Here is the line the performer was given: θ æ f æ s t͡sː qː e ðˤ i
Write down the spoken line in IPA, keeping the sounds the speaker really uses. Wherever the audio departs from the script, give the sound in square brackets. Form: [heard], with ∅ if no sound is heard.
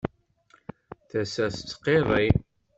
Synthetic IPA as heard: θ æ [s] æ s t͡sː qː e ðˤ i